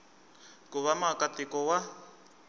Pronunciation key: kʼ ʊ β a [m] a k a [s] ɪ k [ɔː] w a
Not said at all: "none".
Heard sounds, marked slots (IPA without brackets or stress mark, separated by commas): m, t, ɔ